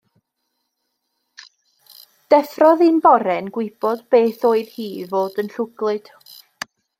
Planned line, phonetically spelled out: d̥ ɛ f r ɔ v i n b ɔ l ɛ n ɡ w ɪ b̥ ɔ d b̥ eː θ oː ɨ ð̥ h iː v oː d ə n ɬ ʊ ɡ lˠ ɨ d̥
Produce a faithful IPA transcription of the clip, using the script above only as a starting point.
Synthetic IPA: d̥ ɛ f r ɔ ð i n b ɔ ɾ ɛ n ɡ w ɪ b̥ ɔ d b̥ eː θ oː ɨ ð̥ h iː v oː d ə n ɬ ʊ ɡ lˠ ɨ d̥